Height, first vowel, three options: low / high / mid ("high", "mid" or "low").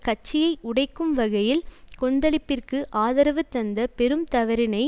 low